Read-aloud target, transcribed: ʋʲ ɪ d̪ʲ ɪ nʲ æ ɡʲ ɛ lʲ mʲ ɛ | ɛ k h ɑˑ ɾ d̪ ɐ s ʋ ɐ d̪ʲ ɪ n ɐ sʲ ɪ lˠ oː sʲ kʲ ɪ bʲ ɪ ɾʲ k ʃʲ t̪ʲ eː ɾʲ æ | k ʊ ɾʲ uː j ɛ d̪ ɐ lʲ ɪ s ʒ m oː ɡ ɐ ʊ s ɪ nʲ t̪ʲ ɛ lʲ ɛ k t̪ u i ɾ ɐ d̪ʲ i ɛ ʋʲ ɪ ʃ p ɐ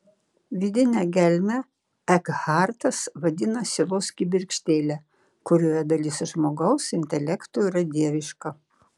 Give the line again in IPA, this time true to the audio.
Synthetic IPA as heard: ʋʲ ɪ d̪ʲ ɪ nʲ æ ɡʲ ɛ lʲ mʲ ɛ | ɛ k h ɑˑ ɾ t̪ ɐ s ʋ ɐ d̪ʲ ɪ n ɐ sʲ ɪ lˠ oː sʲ kʲ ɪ bʲ ɪ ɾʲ k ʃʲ t̪ʲ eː lʲ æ | k ʊ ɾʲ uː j ɛ d̪ ɐ lʲ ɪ s ʒ m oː ɡ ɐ ʊ s ɪ nʲ t̪ʲ ɛ lʲ ɛ k t̪ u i ɾ ɐ d̪ʲ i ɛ ʋʲ ɪ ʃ k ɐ

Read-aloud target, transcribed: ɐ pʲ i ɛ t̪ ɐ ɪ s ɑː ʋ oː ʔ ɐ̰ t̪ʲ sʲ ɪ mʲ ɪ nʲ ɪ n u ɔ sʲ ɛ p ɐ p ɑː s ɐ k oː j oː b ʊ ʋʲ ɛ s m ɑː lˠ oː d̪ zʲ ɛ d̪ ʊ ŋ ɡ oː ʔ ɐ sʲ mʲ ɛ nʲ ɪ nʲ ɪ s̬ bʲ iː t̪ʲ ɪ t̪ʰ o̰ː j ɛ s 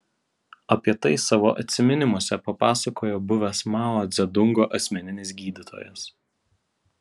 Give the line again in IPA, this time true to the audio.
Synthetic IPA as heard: ɐ pʲ i ɛ t̪ ɐ ɪ s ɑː ʋ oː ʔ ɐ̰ t̪ʲ sʲ ɪ mʲ ɪ nʲ ɪ m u ɔ sʲ ɛ p ɐ p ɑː s ɐ k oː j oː b ʊ ʋʲ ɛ s m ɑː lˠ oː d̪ zʲ ɛ d̪ ʊ ŋ ɡ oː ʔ ɐ sʲ mʲ ɛ nʲ ɪ nʲ ɪ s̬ ɡʲ iː d̪ʲ ɪ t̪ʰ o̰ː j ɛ s

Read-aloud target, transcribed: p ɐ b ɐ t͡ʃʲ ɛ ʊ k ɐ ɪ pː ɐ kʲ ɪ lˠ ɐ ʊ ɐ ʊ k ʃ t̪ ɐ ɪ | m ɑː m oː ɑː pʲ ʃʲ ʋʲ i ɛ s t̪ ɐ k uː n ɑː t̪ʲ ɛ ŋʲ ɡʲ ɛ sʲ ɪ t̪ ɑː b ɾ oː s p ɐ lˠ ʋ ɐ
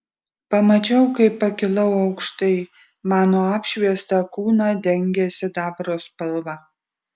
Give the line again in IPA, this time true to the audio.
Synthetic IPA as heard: p ɐ m ɐ t͡ʃʲ ɛ ʊ k ɐ ɪ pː ɐ kʲ ɪ lˠ ɐ ʊ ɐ ʊ k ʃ t̪ ɐ ɪ | m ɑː n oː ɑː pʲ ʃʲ ʋʲ i ɛ s t̪ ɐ k uː n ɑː d̪ʲ ɛ ŋʲ ɡʲ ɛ sʲ ɪ d̪ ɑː b ɾ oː s p ɐ lˠ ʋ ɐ

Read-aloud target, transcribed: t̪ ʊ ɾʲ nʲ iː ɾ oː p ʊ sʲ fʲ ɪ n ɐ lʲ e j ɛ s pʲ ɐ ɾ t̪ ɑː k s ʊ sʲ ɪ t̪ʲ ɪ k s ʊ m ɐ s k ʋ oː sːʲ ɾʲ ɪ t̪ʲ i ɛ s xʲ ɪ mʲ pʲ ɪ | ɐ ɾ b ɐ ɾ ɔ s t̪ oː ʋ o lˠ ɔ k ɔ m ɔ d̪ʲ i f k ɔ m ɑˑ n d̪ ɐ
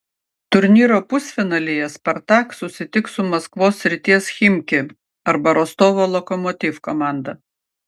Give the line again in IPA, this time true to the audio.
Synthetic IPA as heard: t̪ ʊ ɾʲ nʲ iː ɾ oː p ʊ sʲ fʲ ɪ n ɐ lʲ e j ɛ s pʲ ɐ ɾ t̪ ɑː k s ʊ sʲ ɪ t̪ʲ ɪ k s ʊ m ɐ s k ʋ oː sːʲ ɾʲ ɪ t̪ʲ i ɛ s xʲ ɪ mʲ kʲ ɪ | ɐ ɾ b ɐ ɾ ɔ s t̪ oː ʋ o lˠ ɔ k ɔ m ɔ t̪ʲ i f k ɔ m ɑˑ n d̪ ɐ

